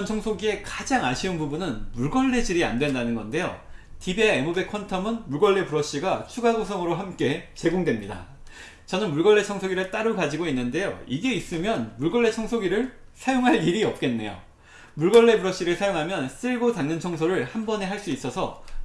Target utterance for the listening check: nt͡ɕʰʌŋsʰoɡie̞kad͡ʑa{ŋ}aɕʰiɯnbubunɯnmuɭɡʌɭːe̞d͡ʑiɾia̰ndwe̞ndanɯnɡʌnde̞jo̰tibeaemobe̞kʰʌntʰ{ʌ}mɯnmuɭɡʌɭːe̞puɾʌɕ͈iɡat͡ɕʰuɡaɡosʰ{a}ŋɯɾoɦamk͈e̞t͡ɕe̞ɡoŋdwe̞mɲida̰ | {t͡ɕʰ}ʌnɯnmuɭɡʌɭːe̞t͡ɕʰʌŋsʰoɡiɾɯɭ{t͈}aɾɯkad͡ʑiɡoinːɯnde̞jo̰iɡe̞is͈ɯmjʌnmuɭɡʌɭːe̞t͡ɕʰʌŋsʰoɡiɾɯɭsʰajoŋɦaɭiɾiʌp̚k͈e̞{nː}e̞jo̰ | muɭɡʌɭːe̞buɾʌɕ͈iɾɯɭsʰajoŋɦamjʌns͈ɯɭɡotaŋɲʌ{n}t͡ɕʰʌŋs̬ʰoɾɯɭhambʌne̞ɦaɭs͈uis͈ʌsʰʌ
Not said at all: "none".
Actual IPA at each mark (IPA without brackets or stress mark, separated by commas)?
ŋ, ʌ, ʌ, t͡ɕ, t͈, nː, n